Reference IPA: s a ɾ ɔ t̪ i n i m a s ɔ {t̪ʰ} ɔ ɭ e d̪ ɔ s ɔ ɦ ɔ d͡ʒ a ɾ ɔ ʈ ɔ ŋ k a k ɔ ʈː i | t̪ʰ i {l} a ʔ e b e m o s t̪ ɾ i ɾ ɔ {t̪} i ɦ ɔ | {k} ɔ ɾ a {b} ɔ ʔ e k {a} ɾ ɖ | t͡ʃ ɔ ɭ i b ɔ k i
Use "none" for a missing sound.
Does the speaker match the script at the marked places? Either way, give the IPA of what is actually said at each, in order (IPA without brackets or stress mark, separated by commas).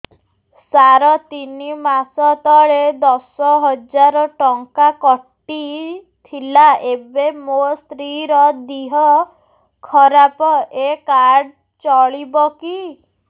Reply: t̪, l, d̪, kʰ, p, a